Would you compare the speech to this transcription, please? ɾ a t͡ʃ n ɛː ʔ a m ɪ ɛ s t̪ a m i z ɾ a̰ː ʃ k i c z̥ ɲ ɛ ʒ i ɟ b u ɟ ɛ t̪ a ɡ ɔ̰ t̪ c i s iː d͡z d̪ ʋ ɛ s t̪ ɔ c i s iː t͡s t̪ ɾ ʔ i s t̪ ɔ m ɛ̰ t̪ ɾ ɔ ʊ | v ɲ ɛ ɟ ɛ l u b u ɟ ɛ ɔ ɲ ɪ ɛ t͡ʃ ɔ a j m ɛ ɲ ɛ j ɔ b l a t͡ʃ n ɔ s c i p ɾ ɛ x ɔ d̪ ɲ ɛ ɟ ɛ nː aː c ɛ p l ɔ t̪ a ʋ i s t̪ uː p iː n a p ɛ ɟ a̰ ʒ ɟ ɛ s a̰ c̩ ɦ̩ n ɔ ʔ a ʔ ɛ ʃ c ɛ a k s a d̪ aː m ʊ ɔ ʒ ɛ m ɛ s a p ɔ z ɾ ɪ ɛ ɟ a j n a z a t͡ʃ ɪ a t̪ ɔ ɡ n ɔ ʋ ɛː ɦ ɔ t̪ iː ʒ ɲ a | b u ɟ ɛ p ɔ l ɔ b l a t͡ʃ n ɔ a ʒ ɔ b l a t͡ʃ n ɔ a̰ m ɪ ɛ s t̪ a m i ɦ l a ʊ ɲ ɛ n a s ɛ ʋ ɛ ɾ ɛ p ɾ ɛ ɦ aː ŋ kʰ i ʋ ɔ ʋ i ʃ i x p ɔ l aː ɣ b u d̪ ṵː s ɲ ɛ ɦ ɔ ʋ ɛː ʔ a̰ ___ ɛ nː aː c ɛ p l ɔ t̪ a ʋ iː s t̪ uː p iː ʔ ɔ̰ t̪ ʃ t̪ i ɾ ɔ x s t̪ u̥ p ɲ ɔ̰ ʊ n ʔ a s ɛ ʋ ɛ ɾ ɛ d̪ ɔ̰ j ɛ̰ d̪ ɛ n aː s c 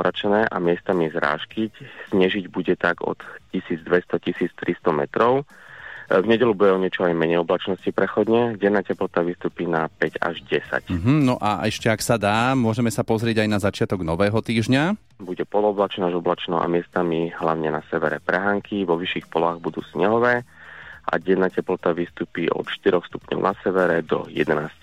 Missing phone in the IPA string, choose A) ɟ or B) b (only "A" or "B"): A